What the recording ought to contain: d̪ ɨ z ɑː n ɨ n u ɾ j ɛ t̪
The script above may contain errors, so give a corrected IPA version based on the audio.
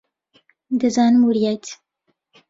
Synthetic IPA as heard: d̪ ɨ z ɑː n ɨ m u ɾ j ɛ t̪